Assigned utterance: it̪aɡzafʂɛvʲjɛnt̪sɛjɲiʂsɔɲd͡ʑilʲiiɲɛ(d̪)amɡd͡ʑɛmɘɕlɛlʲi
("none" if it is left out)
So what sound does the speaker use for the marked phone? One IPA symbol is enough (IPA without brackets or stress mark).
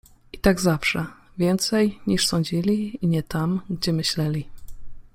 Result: t̪